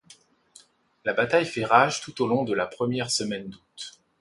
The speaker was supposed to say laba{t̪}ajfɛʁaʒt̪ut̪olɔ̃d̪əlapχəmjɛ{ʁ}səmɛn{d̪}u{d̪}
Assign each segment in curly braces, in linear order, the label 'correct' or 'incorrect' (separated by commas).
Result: correct, correct, correct, incorrect